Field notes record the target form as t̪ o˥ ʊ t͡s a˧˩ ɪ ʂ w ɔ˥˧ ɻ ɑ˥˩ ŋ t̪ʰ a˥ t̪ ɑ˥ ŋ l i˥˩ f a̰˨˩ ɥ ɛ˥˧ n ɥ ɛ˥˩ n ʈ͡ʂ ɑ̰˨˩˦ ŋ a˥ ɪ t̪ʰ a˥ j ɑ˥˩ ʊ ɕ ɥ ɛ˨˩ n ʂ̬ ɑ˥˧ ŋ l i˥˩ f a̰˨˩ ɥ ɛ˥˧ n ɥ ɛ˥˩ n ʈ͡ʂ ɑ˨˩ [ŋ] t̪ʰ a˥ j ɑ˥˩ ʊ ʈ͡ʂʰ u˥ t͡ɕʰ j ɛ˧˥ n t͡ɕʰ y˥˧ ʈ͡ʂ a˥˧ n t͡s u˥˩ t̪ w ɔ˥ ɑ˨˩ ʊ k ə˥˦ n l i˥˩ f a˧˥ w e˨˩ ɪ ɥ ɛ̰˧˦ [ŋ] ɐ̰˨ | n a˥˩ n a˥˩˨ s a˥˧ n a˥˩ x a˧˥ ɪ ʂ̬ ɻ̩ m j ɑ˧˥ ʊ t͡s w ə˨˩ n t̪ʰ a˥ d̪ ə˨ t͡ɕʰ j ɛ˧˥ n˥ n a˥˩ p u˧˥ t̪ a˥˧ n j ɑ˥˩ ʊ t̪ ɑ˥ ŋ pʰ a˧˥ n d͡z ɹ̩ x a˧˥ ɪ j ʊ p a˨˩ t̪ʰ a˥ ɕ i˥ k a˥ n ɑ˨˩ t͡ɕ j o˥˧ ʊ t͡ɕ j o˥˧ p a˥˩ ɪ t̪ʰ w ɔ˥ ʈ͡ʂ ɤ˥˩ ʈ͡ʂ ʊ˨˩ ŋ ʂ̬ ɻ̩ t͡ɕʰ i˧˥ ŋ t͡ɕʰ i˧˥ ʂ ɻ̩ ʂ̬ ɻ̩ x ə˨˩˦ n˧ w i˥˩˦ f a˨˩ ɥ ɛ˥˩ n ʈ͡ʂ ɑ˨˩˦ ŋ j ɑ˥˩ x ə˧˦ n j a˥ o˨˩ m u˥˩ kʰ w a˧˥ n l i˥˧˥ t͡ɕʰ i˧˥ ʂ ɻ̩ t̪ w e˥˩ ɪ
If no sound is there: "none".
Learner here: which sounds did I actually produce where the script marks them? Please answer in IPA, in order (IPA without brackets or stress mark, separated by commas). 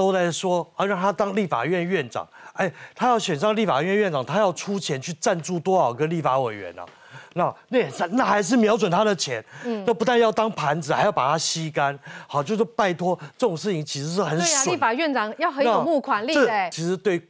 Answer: ŋ, n